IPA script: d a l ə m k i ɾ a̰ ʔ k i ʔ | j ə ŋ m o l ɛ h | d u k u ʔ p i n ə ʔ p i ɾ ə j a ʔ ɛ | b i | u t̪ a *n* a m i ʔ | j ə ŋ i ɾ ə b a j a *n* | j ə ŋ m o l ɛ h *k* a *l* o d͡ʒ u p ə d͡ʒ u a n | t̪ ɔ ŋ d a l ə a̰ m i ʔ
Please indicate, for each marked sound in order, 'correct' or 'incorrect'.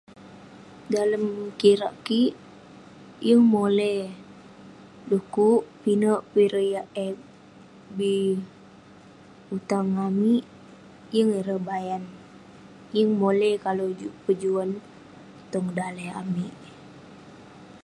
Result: incorrect: ŋ, correct, correct, correct

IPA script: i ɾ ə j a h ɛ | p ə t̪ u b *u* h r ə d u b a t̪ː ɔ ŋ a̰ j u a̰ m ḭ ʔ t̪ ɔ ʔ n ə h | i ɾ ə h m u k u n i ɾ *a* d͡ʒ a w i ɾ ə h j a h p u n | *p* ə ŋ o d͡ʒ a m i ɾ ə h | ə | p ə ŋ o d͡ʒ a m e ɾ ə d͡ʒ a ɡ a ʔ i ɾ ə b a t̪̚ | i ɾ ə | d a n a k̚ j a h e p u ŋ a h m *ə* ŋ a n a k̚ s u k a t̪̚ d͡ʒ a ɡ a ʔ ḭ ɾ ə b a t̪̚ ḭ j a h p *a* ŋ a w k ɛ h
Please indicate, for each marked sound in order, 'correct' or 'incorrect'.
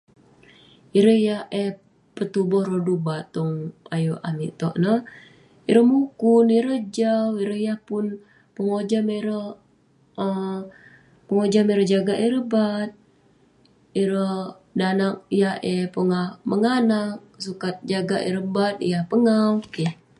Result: incorrect: ɔ, incorrect: ə, correct, correct, incorrect: ə

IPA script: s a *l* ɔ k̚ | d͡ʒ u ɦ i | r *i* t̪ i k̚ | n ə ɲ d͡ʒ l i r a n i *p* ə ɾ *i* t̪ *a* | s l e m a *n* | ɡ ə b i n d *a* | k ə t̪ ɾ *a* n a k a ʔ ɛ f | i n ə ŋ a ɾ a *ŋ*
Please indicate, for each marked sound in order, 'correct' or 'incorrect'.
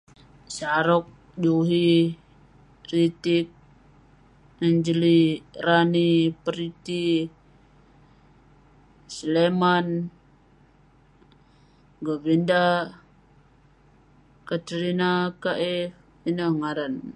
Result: incorrect: ɾ, correct, correct, correct, incorrect: i, correct, correct, incorrect: i, incorrect: n

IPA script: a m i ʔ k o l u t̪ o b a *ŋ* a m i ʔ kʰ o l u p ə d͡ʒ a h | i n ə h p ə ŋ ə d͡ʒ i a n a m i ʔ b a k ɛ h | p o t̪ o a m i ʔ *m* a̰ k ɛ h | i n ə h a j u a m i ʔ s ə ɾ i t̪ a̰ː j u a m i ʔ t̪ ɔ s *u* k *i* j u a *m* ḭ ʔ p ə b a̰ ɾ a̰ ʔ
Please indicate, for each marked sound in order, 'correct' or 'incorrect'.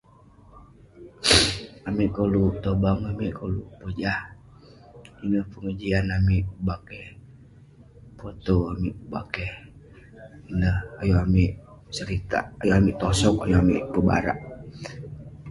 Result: correct, incorrect: b, incorrect: ɔ, incorrect: a, correct

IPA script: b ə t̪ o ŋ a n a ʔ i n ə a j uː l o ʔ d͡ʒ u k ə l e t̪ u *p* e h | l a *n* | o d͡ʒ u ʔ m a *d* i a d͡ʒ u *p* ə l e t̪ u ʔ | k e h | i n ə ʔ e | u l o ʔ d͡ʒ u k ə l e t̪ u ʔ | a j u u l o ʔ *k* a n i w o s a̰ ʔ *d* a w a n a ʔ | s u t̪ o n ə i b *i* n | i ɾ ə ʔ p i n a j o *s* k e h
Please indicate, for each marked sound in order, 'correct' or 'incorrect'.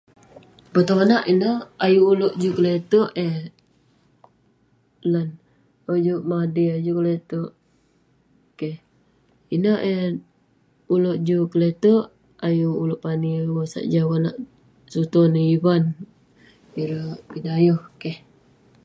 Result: incorrect: ʔ, correct, correct, incorrect: k, incorrect: p, incorrect: d͡ʒ, incorrect: a, incorrect: h

